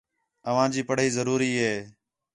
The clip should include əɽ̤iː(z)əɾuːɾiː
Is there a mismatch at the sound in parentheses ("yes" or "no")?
no